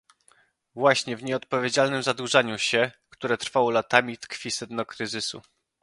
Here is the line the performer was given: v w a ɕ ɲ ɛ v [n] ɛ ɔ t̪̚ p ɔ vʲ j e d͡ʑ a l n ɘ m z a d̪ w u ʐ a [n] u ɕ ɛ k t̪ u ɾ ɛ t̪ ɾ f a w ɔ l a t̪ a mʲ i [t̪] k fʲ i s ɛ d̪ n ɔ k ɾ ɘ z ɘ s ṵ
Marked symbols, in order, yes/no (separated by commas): no, no, yes